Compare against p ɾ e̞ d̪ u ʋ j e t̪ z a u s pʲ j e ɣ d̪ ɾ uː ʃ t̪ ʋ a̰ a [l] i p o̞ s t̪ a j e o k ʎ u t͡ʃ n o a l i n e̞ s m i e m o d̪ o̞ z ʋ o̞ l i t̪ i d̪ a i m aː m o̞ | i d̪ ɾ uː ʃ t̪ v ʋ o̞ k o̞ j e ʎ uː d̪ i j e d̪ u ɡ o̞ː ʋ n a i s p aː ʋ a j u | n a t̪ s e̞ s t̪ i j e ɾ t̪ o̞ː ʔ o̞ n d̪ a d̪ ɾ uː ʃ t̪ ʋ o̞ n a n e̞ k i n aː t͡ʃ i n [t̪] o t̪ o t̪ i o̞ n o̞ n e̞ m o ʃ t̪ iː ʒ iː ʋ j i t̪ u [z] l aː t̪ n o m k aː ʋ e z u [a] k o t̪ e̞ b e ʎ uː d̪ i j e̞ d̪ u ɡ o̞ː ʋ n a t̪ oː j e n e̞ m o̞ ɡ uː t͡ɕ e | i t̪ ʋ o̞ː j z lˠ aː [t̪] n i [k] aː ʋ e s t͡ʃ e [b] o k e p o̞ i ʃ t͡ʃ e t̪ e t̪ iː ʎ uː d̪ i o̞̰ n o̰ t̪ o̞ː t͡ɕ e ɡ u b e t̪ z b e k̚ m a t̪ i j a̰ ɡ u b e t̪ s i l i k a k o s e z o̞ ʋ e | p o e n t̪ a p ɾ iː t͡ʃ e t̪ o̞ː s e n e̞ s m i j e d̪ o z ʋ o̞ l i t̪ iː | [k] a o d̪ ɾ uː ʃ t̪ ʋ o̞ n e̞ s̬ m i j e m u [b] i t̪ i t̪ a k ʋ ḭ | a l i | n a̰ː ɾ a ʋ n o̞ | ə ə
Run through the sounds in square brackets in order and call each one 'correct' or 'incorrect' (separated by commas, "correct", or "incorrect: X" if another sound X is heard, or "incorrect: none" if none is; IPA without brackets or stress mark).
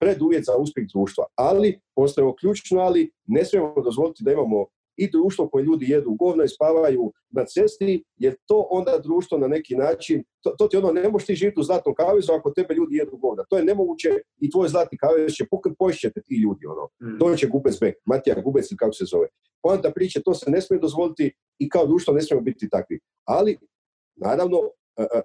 correct, correct, correct, correct, correct, correct, incorrect: p, correct, correct